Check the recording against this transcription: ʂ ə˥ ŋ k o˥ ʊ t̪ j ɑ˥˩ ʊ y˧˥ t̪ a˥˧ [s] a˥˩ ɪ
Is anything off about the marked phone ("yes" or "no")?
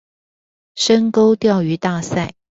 no